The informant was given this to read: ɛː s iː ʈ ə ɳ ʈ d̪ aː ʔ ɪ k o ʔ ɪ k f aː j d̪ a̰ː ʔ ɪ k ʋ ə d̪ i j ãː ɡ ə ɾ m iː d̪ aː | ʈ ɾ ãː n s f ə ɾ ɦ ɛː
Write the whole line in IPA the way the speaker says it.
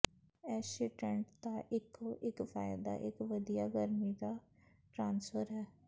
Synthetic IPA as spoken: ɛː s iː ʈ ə ɳ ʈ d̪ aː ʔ ɪ k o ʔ ɪ k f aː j d̪ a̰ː ʔ ɪ k ʋ ə d̪ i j aː ɡ ə ɾ m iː d̪ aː | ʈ ɾ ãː n s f ə ɾ ɦ ɛː